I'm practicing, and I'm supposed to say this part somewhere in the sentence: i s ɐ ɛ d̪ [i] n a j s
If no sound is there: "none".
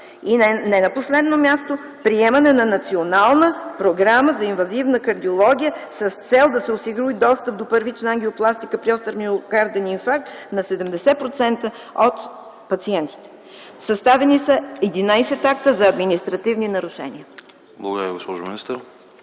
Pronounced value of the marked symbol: i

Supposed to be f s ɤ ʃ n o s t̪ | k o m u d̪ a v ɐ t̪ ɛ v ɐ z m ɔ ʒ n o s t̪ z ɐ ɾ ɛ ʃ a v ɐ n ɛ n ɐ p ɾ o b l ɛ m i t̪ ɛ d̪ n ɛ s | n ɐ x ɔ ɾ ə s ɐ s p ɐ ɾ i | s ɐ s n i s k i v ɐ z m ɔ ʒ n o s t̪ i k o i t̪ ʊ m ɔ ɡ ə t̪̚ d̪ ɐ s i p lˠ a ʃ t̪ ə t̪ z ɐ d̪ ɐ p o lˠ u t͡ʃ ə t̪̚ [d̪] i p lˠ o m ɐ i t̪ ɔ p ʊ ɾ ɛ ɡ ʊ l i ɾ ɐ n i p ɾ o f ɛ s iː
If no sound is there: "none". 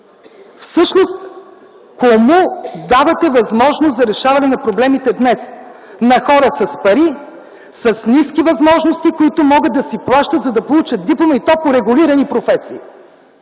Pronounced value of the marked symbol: d̪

